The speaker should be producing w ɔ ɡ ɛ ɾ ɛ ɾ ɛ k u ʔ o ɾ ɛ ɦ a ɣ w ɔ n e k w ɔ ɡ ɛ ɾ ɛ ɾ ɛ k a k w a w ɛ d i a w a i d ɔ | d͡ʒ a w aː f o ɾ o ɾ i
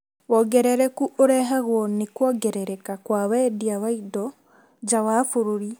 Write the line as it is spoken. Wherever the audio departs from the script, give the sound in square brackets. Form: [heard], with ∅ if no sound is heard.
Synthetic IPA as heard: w ɔ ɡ ɛ ɾ ɛ ɾ ɛ k u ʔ o ɾ ɛ ɦ a ɣ w ɔ n e k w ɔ ɡ ɛ ɾ ɛ ɾ ɛ k a k w a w ɛ d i a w a i d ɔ | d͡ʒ a w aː f o ɾ o ɾ i